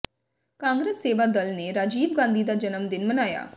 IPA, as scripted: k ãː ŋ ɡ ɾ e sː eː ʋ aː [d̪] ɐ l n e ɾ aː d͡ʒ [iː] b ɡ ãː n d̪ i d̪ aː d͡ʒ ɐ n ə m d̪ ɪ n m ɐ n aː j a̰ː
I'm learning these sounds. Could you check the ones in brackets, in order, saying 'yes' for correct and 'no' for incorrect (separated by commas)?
yes, yes